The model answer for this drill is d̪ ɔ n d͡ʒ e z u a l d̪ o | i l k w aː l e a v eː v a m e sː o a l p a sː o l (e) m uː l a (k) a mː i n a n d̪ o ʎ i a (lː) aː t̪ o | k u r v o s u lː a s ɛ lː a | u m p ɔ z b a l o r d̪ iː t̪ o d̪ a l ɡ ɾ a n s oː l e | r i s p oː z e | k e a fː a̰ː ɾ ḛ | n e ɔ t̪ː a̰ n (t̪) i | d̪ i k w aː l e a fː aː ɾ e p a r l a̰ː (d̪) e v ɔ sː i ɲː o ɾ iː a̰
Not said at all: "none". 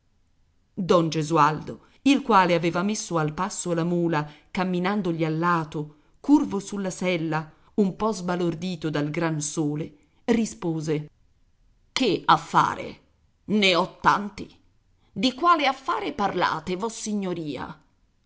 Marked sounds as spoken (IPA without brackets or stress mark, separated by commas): a, k, lː, t̪, t̪